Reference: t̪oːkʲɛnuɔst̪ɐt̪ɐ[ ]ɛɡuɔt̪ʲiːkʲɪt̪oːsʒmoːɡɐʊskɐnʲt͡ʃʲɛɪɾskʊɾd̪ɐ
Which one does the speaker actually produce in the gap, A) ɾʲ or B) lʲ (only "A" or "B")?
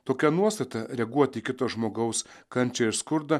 A